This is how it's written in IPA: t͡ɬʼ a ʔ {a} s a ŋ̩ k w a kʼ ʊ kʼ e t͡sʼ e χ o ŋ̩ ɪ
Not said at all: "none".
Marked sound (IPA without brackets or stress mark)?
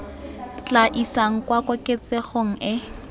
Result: i